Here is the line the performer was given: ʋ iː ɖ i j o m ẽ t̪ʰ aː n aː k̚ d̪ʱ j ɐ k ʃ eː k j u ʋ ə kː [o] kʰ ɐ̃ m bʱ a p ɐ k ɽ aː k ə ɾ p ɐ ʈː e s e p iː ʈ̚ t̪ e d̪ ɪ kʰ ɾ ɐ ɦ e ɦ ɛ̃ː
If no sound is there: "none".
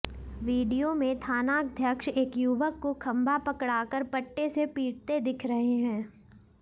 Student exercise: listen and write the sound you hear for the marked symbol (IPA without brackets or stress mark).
o